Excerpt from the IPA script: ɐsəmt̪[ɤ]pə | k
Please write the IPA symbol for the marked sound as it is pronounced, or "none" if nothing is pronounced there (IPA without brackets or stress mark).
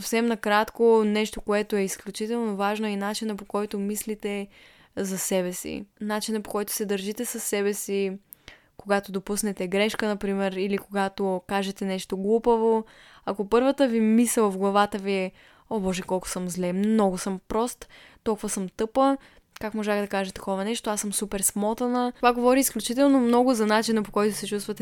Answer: ɤ